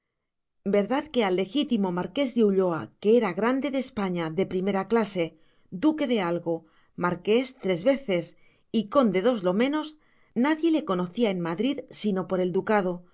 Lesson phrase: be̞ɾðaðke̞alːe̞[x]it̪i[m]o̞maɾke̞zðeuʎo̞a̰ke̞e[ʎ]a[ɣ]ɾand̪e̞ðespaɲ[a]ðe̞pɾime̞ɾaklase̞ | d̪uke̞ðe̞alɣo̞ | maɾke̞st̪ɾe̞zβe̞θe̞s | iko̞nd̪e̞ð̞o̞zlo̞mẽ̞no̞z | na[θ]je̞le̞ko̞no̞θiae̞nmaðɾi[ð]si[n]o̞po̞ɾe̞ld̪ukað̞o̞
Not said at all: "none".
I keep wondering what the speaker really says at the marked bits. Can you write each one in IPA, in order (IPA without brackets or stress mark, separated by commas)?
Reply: x, m, ɾ, ɣ, a, ð, ð, n